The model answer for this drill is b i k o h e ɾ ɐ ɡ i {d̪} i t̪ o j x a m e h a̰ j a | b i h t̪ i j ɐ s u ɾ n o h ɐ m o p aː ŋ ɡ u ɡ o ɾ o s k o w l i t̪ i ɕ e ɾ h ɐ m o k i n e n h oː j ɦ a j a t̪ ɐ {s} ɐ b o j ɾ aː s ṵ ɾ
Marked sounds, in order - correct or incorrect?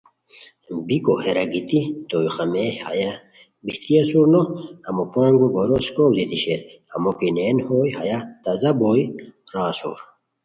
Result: incorrect: t̪, incorrect: z

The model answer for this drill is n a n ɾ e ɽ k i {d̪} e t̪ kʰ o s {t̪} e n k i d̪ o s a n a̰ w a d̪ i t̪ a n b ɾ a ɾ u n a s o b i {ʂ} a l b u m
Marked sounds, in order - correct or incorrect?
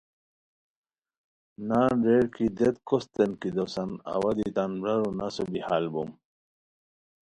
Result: correct, correct, incorrect: h

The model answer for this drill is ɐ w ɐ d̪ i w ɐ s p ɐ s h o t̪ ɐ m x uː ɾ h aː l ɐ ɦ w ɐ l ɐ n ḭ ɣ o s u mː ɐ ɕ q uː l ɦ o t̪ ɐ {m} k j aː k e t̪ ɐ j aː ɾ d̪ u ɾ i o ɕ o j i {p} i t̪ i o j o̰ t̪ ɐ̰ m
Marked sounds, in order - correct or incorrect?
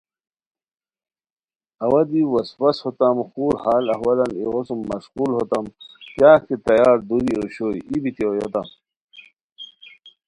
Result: correct, incorrect: b

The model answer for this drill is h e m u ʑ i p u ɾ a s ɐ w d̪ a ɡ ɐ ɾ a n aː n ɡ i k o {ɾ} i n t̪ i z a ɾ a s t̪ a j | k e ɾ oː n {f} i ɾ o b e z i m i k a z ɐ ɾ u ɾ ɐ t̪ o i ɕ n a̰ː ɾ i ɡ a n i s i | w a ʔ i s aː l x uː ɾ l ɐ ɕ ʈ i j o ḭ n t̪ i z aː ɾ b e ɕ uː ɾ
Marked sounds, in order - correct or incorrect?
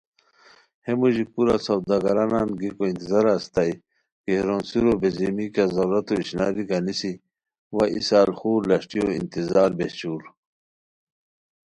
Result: incorrect: none, incorrect: s

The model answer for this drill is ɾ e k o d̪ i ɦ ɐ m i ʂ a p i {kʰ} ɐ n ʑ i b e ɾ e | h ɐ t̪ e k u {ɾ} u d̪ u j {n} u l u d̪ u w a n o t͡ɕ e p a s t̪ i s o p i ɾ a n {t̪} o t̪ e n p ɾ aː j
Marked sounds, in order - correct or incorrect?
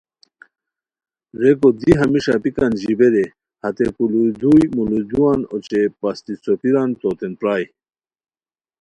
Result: incorrect: k, incorrect: l, incorrect: m, correct

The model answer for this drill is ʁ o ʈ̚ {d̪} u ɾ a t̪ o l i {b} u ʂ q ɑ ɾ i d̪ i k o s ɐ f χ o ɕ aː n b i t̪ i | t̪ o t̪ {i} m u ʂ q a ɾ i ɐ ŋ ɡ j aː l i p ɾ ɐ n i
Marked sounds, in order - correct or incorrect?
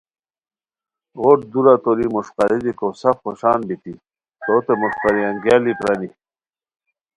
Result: correct, incorrect: m, incorrect: e

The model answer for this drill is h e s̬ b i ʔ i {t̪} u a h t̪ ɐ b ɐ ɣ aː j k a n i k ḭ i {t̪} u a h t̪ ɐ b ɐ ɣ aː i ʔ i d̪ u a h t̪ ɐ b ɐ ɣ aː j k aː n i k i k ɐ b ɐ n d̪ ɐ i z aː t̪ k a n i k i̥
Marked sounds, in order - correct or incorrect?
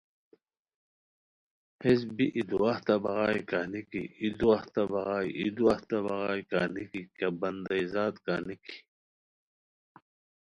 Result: incorrect: d̪, incorrect: d̪

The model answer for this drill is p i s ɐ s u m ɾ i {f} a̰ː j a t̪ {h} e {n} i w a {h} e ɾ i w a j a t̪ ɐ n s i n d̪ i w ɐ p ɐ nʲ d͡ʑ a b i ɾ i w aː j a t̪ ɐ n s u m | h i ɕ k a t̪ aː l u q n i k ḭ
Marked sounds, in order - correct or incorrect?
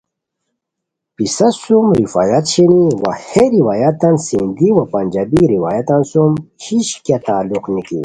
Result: correct, incorrect: ɕ, correct, correct

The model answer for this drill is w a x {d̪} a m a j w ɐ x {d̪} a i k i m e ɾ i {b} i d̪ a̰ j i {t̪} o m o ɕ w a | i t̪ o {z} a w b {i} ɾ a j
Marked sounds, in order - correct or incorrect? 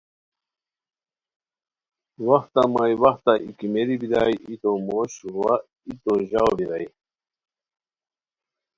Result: incorrect: t̪, incorrect: t̪, correct, correct, incorrect: ʑ, correct

